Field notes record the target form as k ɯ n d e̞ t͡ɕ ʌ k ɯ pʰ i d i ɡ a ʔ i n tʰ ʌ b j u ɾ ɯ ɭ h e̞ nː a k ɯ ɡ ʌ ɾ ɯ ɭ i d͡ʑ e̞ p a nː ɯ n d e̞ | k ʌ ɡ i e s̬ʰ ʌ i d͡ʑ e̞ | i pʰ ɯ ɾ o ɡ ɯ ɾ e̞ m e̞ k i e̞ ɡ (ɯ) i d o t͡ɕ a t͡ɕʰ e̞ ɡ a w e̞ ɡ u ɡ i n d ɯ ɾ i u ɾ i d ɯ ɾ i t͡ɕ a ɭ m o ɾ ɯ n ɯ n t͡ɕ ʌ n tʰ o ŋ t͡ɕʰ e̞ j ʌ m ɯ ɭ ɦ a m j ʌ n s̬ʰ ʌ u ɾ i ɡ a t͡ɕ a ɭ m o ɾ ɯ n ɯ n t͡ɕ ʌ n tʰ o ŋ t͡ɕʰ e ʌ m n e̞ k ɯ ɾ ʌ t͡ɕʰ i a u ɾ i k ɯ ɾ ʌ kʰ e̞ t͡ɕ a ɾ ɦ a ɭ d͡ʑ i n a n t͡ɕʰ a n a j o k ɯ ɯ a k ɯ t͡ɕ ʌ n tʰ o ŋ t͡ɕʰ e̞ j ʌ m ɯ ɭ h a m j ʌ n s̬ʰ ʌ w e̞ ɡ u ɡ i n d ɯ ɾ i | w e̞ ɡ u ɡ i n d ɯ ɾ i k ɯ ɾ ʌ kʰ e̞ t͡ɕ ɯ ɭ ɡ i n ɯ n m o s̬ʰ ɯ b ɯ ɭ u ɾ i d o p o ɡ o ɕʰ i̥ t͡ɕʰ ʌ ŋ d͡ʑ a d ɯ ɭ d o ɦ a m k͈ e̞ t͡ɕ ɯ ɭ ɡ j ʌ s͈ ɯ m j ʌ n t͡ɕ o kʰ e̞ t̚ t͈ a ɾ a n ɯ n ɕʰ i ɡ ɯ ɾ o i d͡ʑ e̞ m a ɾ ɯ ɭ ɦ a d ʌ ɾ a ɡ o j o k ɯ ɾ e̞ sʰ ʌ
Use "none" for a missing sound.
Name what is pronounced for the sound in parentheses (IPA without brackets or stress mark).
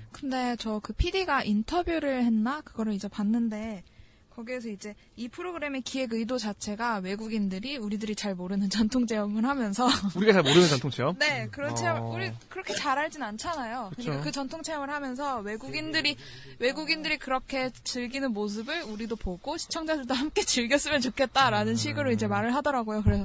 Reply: ɯ